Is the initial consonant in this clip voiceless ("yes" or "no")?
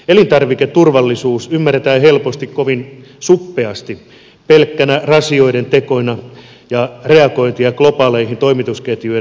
no